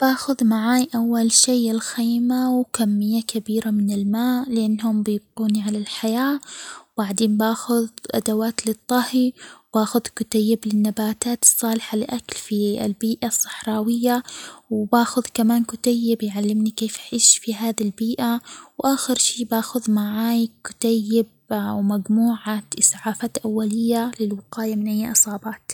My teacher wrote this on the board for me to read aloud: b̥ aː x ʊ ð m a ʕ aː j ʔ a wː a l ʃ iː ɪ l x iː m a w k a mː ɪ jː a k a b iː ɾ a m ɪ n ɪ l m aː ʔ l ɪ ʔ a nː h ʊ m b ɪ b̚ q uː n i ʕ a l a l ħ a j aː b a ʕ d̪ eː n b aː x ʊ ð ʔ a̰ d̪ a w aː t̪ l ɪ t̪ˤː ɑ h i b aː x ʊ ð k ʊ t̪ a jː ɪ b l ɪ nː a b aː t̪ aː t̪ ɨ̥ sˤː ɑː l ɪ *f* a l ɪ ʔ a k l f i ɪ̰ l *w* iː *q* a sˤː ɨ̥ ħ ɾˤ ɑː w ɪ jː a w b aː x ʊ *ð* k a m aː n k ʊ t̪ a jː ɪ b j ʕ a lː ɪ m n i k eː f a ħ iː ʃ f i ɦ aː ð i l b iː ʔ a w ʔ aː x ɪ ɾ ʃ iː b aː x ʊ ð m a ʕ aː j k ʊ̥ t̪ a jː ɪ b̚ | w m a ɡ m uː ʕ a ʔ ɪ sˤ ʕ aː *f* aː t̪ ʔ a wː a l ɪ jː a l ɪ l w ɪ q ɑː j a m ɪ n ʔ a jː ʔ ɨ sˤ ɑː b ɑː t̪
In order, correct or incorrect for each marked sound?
incorrect, incorrect, incorrect, correct, correct

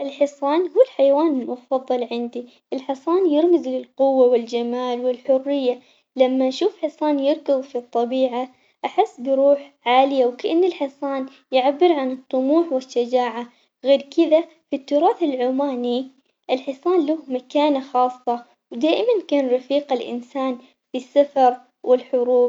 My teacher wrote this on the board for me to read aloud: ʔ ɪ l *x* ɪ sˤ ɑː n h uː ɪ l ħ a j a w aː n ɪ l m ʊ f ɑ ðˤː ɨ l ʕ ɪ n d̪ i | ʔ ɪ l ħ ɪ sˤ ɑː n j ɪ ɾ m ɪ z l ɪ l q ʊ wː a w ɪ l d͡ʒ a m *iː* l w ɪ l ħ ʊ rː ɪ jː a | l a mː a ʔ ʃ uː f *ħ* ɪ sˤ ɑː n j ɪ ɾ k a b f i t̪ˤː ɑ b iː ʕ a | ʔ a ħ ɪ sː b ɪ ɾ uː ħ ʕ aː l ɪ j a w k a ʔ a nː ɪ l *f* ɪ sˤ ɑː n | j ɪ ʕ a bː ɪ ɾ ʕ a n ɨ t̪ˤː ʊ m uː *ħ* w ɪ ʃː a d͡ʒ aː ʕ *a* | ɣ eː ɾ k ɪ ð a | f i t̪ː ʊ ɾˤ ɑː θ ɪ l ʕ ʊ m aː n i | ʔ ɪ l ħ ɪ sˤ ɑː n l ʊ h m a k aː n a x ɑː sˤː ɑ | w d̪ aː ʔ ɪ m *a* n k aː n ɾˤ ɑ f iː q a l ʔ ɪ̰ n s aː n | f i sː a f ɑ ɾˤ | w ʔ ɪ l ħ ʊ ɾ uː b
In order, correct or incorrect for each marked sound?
incorrect, incorrect, correct, incorrect, correct, correct, correct

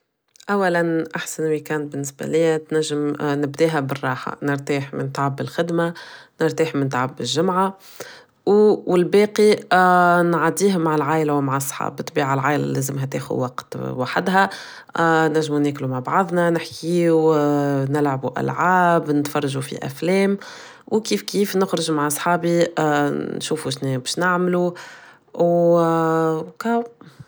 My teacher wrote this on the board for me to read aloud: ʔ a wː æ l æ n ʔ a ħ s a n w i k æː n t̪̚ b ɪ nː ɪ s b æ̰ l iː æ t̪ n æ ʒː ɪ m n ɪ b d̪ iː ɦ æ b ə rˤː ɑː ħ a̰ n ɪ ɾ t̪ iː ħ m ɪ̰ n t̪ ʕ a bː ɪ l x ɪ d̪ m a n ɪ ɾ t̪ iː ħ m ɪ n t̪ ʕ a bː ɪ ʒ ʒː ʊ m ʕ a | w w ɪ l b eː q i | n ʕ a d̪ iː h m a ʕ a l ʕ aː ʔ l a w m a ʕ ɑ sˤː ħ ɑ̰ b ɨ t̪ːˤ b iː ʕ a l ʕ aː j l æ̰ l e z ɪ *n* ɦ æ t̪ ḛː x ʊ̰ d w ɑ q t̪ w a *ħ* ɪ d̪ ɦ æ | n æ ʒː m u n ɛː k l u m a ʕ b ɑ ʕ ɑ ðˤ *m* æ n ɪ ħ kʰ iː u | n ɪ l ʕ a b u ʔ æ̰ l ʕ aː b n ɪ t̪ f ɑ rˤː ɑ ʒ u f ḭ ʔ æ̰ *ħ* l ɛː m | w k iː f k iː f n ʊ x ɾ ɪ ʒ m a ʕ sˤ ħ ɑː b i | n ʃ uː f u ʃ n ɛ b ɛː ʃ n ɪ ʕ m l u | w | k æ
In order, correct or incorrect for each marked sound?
incorrect, correct, incorrect, incorrect

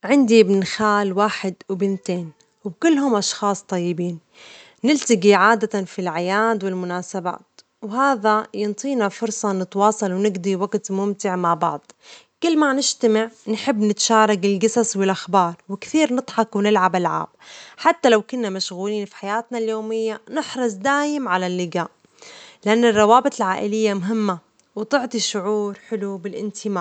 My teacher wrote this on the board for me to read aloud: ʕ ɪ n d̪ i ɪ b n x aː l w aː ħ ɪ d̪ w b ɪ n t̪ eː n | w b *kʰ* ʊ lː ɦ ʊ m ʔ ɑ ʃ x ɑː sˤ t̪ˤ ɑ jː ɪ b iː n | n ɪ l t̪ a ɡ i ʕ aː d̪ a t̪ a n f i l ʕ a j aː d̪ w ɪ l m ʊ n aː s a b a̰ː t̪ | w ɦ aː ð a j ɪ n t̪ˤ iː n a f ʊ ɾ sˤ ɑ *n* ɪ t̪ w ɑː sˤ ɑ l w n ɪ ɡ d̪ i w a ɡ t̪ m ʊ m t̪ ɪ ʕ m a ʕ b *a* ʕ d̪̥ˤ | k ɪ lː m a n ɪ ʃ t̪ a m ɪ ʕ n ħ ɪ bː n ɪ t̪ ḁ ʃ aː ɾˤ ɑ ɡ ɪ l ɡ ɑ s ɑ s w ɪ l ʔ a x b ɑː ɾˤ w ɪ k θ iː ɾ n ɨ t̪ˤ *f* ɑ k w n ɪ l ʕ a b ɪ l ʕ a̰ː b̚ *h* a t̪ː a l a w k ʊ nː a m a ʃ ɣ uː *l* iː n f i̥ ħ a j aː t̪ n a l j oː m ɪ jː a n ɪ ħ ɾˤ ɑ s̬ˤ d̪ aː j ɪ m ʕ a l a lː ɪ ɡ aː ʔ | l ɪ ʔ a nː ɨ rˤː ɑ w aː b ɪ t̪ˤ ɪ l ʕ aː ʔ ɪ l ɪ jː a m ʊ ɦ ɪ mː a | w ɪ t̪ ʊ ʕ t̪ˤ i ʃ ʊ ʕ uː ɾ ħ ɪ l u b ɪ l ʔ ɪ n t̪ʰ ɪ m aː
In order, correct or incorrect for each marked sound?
incorrect, correct, incorrect, incorrect, incorrect, correct

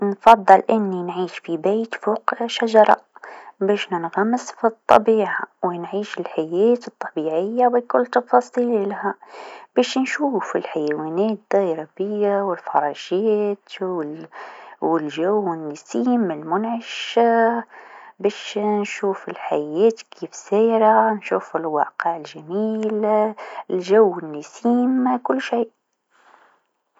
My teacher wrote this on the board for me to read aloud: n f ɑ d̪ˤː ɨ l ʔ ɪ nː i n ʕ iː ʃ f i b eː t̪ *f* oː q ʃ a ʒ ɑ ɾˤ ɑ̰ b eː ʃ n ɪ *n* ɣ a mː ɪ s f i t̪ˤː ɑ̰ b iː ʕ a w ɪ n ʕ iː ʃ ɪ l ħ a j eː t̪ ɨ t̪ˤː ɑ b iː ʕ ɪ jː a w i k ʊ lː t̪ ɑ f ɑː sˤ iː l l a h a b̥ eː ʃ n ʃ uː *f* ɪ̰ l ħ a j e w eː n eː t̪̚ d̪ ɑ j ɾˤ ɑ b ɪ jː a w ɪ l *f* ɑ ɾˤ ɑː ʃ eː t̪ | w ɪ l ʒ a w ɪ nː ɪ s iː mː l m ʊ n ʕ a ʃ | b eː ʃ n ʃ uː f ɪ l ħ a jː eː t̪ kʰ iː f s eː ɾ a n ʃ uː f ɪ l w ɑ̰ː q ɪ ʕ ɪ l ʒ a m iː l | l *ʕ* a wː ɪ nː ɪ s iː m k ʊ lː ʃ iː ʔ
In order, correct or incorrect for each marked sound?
correct, correct, correct, correct, incorrect

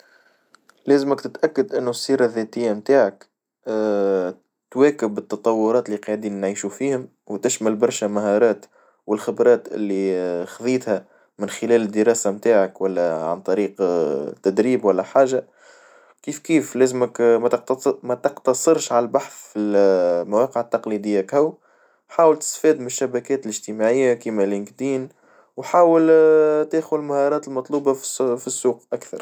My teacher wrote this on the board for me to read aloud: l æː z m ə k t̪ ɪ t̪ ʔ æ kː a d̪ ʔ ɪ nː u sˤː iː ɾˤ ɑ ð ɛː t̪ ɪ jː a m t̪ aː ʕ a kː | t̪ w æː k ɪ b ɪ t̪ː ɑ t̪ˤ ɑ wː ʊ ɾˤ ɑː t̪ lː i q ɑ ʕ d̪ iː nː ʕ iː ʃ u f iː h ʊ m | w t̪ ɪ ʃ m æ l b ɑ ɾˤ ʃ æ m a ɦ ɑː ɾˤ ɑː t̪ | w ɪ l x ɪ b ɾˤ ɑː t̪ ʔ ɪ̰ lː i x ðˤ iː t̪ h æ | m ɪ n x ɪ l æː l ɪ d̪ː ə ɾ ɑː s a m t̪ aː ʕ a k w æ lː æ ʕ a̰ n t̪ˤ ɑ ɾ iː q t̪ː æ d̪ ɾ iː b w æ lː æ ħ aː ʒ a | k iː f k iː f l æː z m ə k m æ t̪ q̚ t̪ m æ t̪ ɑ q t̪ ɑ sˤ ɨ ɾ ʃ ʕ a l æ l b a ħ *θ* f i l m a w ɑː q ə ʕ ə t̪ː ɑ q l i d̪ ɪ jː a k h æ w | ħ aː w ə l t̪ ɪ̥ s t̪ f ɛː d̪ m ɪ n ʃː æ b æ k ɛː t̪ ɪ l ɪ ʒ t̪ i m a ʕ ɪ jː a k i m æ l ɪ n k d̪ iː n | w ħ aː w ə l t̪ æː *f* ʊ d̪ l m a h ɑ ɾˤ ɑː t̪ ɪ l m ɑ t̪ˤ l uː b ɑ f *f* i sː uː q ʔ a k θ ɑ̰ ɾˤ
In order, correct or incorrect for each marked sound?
correct, incorrect, correct

